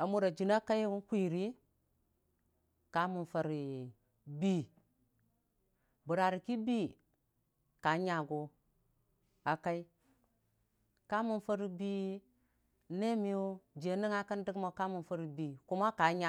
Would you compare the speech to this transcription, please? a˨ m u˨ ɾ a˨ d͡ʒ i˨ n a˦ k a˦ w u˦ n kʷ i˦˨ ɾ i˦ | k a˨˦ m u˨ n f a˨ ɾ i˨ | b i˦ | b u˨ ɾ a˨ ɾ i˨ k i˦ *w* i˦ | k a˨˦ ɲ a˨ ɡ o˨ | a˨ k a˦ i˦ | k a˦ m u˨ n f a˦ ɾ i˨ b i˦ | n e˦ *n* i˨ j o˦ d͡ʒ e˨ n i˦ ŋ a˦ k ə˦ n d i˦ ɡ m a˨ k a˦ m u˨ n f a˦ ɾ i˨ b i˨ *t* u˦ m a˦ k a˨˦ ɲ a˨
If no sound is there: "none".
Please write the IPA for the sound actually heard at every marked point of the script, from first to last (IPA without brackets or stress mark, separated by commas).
b, m, k